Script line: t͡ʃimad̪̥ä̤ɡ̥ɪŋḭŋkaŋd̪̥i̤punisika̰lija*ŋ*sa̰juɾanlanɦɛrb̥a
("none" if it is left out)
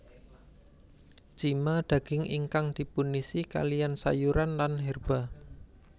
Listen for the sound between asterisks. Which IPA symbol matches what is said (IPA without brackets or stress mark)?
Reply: n